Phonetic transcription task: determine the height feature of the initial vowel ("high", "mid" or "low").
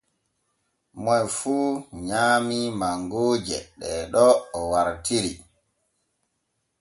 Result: mid